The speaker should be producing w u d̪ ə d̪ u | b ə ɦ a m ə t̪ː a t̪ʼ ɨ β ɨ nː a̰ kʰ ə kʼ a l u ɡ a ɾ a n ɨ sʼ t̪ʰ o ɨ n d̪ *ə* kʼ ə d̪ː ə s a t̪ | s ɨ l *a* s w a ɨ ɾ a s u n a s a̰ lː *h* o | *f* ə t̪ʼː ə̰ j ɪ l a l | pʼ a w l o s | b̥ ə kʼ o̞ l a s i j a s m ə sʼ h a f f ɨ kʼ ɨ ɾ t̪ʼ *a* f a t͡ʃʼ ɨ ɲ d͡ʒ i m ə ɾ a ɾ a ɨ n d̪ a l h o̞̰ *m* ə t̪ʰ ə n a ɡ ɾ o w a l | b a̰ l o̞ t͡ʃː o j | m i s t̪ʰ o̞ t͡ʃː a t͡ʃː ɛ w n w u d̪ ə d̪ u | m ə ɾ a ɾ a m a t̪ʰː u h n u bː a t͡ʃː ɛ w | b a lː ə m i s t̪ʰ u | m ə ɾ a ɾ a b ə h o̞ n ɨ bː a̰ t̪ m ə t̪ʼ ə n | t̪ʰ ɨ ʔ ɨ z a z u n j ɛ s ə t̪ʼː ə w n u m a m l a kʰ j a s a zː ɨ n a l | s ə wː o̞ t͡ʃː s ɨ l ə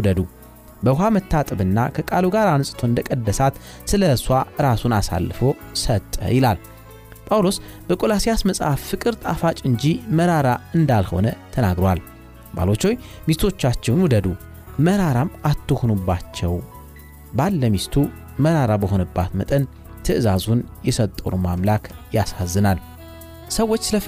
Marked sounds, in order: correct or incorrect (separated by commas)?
correct, incorrect, incorrect, incorrect, correct, incorrect